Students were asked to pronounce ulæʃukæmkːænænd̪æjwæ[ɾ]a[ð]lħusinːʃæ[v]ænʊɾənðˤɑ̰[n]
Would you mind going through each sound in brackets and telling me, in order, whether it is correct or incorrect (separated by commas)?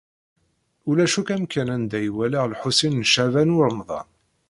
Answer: incorrect, incorrect, correct, correct